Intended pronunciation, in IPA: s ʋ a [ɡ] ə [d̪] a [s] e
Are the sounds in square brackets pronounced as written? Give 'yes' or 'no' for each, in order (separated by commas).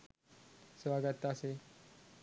yes, no, yes